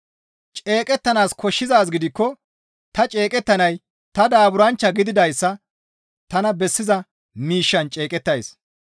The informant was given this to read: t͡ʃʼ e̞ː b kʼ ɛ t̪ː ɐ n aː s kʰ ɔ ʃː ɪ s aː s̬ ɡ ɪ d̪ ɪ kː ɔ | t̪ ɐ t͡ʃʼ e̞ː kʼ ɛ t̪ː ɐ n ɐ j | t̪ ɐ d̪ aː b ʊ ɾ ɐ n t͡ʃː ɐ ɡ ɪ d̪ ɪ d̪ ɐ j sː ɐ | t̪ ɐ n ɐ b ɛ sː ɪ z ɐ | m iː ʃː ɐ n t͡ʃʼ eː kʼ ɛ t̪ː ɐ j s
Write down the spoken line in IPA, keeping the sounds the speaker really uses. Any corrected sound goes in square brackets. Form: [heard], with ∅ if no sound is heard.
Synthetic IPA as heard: t͡ʃʼ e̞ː [∅] kʼ ɛ t̪ː ɐ n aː s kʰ ɔ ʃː ɪ [z] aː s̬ ɡ ɪ d̪ ɪ kː ɔ | t̪ ɐ t͡ʃʼ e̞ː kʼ ɛ t̪ː ɐ n ɐ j | t̪ ɐ d̪ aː b ʊ ɾ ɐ n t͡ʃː ɐ ɡ ɪ d̪ ɪ d̪ ɐ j sː ɐ | t̪ ɐ n ɐ b ɛ sː ɪ z ɐ | m iː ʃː ɐ n t͡ʃʼ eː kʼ ɛ t̪ː ɐ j s